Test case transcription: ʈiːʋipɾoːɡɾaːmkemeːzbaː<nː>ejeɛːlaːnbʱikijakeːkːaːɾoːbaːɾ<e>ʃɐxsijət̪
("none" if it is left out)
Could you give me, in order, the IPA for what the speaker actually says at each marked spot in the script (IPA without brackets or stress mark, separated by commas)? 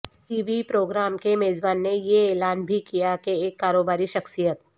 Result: nː, i